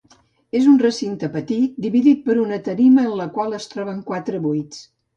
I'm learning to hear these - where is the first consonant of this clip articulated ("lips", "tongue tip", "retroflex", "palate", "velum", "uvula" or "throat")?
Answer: tongue tip